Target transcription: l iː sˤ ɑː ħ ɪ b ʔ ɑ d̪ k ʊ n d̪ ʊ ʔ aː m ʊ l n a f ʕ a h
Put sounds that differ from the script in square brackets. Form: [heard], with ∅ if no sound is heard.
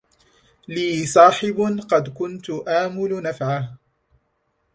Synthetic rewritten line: l iː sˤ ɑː ħ ɪ b [q] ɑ d̪ k ʊ n [t̪] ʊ ʔ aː m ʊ l n a f ʕ a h